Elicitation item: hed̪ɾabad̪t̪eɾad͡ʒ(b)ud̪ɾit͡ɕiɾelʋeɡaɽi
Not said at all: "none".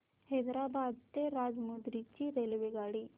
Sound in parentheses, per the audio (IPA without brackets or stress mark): m